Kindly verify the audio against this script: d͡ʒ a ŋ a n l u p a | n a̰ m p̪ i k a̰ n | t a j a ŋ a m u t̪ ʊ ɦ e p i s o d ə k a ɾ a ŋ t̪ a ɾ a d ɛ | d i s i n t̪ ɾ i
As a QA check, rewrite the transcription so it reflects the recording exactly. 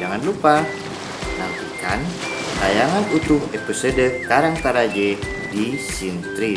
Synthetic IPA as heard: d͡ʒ a ŋ a n l u p a | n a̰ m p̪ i k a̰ n | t a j a ŋ a n u t̪ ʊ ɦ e p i s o d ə k a ɾ a ŋ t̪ a ɾ a d͡ʒ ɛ | d i s i n t̪ ɾ i